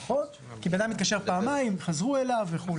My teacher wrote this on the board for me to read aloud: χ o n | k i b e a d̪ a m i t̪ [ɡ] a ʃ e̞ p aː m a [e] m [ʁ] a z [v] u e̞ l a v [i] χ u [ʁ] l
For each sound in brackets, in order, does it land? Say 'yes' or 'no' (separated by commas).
no, no, no, no, no, no